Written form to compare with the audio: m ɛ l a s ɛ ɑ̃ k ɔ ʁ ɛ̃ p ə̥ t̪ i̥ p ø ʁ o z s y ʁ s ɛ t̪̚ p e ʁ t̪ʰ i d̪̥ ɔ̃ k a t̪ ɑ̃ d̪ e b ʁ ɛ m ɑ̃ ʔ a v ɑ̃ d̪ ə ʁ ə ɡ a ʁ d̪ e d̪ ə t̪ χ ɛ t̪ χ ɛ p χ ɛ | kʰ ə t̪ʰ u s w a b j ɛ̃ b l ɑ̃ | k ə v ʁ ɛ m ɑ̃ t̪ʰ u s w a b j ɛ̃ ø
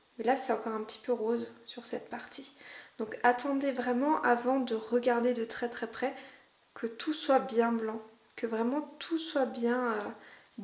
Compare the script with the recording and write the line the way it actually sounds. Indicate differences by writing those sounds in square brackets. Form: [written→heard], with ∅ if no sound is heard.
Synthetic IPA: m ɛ l a s ɛ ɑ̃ k ɔ ʁ ɛ̃ p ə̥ t̪ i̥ p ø ʁ o z s y ʁ s ɛ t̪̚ p [e→a] ʁ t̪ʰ i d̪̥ ɔ̃ k a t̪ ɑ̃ d̪ e [b→v] ʁ ɛ m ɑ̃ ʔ a v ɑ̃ d̪ ə ʁ ə ɡ a ʁ d̪ e d̪ ə t̪ χ ɛ t̪ χ ɛ p χ ɛ | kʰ ə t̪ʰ u s w a b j ɛ̃ b l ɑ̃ | k ə v ʁ ɛ m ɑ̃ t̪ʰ u s w a b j ɛ̃ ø